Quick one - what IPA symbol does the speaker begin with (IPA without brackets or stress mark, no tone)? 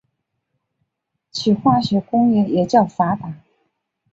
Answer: t͡ɕʰ